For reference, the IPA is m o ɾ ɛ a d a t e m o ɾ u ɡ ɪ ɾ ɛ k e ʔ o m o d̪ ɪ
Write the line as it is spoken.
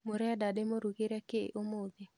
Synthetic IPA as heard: m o ɾ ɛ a d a d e m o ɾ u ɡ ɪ ɾ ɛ k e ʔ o m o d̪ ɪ